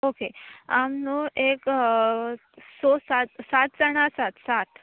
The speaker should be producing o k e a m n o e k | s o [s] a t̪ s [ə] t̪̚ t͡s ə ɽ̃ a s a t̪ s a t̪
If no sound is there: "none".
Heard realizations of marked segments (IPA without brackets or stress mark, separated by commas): s, a